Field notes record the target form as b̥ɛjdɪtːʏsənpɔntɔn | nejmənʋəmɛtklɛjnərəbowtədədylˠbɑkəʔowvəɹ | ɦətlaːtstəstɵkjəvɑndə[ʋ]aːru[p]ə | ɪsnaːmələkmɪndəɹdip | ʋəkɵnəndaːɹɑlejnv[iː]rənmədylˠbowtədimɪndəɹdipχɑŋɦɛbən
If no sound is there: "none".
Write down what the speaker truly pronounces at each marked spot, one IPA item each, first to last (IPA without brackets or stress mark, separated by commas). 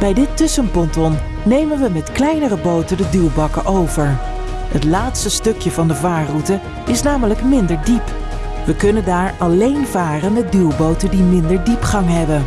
v, t, aː